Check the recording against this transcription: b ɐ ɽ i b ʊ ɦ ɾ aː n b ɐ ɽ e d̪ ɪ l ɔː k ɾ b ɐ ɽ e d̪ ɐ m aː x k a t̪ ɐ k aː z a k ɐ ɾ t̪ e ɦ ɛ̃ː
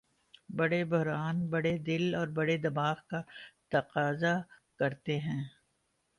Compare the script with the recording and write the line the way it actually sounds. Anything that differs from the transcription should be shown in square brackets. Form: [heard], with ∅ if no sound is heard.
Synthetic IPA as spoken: b ɐ ɽ [e] b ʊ ɦ ɾ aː n b ɐ ɽ e d̪ ɪ l ɔː [∅] ɾ b ɐ ɽ e d̪ ɐ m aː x k a t̪ ɐ [q] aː z a k ɐ ɾ t̪ e ɦ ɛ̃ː